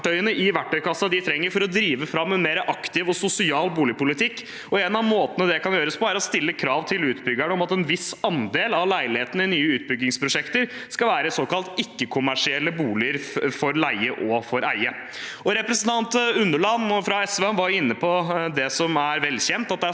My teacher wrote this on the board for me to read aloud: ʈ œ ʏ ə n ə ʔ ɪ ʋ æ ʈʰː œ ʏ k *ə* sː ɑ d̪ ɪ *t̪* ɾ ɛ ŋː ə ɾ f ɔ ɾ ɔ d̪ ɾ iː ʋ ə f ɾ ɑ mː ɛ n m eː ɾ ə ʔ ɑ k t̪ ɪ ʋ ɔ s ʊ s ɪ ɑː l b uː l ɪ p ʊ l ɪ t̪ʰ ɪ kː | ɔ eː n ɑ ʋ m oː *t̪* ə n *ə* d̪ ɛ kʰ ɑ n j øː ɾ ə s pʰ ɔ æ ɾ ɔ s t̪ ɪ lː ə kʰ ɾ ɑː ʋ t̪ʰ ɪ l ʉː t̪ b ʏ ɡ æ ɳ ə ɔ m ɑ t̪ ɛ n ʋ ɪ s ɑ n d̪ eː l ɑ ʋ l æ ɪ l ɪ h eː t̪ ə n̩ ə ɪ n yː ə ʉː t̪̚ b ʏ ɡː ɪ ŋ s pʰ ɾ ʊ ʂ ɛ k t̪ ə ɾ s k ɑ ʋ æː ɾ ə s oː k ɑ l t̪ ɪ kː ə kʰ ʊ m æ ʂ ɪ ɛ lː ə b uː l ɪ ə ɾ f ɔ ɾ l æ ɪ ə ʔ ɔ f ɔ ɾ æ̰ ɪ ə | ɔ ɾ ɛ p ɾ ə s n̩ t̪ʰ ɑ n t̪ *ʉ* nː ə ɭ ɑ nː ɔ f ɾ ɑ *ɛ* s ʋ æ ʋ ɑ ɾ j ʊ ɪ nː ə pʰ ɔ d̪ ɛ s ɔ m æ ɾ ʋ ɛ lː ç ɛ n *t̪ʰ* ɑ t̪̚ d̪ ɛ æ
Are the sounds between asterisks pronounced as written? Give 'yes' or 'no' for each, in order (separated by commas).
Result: no, no, yes, yes, yes, yes, no